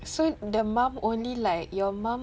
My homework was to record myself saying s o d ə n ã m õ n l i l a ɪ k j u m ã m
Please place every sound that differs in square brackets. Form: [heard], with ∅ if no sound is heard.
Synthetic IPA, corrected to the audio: s o d ə [m] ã m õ n l i l a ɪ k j [ɔ] m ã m